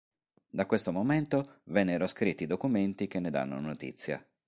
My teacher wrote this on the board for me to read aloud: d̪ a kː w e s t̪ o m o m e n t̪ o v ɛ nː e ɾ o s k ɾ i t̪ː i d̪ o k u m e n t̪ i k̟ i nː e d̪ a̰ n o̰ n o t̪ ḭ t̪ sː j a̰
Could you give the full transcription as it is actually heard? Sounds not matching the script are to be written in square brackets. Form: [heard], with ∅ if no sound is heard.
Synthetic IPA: d̪ a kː w e s t̪ o m o m e n t̪ o v ɛ nː e ɾ o s k ɾ i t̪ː i d̪ o k u m e n t̪ i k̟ [e] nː e d̪ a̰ [nː] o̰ n o t̪ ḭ t̪ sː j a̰

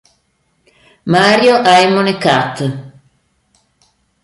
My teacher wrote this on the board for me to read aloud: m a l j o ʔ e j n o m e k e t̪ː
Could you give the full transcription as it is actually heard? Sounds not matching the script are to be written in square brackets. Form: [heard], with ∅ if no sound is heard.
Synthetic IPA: m a [ɾ] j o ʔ [a] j [m] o [n] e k [a] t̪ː

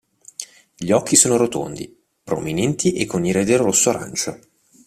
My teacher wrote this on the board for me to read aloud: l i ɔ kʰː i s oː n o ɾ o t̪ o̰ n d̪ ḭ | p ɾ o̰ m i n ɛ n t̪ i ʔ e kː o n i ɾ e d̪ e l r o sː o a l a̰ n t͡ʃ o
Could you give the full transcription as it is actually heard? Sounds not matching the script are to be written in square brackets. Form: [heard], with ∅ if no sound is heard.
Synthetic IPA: [ʎ] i ɔ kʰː i s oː n o ɾ o t̪ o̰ n d̪ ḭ | p ɾ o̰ m i n ɛ n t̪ i ʔ e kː o n i ɾ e d̪ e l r o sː o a [ɾ] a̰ n t͡ʃ o

